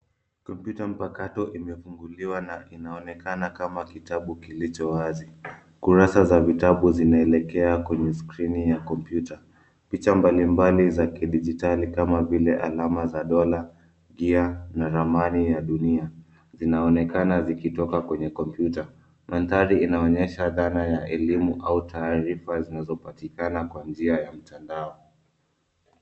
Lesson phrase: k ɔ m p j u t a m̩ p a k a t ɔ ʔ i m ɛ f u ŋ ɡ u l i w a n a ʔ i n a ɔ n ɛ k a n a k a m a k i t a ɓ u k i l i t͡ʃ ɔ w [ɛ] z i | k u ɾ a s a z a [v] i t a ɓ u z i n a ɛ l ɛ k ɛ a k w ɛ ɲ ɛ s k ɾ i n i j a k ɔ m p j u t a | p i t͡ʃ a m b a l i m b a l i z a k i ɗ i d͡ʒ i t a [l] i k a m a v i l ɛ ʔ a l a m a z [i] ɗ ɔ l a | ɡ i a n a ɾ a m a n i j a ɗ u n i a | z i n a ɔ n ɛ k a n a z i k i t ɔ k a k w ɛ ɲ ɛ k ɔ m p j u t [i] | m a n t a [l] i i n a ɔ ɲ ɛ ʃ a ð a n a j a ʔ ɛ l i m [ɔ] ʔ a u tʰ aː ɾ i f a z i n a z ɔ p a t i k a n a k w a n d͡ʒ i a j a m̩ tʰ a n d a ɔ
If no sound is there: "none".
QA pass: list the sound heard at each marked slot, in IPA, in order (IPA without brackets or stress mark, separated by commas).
a, v, l, a, a, ɾ, u